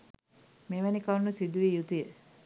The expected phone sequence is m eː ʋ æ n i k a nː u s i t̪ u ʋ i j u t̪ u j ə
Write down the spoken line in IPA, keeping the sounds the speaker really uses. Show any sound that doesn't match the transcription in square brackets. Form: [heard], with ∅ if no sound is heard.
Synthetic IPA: m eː ʋ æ n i k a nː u s i [d̪] u ʋ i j u t̪ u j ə